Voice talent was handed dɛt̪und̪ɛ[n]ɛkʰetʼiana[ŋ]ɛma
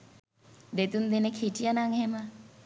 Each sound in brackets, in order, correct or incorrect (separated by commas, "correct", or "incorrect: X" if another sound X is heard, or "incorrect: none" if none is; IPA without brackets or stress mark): correct, correct